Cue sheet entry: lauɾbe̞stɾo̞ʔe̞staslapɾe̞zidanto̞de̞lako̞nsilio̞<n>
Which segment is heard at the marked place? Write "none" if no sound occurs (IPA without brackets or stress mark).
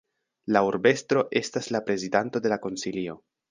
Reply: none